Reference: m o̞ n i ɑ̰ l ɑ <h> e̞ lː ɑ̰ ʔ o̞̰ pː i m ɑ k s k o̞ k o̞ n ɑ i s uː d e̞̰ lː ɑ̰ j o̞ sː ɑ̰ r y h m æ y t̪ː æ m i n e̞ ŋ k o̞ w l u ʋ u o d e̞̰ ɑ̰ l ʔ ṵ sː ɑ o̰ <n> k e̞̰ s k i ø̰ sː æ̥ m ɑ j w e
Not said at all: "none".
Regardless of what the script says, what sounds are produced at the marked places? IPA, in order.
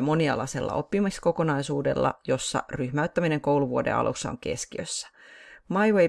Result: s, ŋ

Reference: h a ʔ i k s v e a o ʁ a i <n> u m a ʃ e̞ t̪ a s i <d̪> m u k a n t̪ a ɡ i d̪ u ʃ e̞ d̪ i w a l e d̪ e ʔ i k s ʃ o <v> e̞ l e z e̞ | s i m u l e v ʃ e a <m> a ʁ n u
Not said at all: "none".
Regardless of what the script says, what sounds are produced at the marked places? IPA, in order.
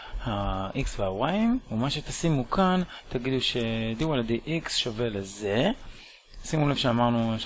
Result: m, none, v, m

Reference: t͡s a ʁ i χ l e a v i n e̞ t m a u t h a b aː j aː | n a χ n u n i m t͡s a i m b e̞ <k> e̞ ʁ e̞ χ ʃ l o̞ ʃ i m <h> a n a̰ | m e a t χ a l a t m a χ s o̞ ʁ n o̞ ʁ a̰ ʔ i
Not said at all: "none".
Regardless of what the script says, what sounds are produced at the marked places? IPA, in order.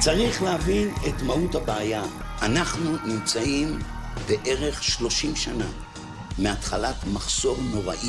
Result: ʔ, ʃ

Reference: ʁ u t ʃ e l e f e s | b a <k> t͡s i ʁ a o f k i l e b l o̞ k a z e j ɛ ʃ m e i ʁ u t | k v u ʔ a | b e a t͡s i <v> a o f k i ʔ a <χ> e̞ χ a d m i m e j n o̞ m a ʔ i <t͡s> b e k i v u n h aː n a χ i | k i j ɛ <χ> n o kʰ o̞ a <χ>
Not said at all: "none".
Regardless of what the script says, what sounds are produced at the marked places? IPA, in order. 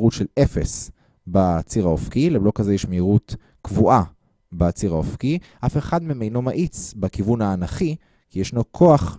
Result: none, ʁ, f, t͡s, ʃ, χ

